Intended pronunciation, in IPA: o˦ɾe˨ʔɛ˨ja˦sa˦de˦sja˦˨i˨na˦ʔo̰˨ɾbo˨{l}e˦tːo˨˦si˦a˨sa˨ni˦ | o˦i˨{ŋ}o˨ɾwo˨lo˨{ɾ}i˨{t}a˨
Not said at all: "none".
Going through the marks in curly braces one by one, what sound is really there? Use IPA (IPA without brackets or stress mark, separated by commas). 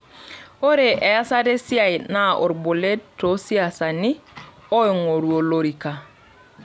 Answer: l, ŋ, ɾ, k